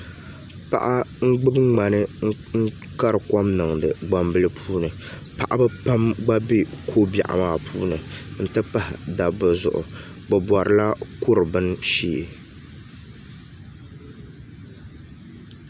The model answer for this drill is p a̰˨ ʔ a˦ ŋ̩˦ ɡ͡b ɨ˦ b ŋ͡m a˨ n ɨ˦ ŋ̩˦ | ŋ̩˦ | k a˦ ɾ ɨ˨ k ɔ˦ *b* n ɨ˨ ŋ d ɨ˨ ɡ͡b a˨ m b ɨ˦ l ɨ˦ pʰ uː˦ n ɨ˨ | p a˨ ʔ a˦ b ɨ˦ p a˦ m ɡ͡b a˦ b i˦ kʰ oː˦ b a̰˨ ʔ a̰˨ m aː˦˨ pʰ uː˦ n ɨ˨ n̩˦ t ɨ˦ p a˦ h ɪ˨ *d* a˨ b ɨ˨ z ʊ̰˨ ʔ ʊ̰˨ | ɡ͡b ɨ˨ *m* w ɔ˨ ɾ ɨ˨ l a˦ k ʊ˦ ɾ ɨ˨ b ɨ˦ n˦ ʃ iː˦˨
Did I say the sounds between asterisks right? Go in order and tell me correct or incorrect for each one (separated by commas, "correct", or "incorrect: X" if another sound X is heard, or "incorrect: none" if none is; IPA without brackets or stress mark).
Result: incorrect: m, correct, incorrect: b